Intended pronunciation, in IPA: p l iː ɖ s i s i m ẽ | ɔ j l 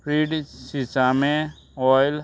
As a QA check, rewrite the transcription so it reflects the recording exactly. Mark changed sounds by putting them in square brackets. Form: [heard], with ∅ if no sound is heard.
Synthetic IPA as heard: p [ɾ] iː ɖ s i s [a] m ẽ | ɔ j l